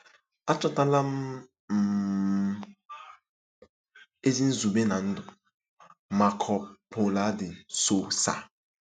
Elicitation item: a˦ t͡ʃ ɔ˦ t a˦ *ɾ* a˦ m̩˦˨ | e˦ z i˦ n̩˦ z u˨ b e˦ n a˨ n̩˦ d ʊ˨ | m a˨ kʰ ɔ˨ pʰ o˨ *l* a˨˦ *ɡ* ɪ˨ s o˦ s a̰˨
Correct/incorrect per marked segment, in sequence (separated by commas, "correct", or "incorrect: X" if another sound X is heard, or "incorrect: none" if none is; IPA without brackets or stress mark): incorrect: l, correct, incorrect: d